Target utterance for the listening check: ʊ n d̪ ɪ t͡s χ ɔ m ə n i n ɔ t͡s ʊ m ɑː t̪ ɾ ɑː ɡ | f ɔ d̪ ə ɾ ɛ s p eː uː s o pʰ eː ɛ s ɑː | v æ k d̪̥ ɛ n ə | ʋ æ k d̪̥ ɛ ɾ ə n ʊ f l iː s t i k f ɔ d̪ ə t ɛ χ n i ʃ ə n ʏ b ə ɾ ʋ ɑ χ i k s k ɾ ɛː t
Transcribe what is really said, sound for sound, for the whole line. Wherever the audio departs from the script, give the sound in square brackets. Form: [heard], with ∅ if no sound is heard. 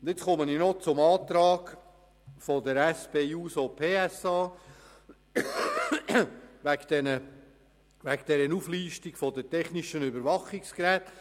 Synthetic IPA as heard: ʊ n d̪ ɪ t͡s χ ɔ m ə n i n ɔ t͡s ʊ m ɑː t̪ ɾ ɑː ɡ | f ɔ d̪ ə ɾ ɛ s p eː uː s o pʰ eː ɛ s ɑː | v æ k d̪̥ ɛ n ə | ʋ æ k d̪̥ ɛ ɾ ə n [u] f l iː [ʃ] t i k f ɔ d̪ ə t ɛ χ n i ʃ ə n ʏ b ə ɾ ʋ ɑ χ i k s k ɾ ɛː t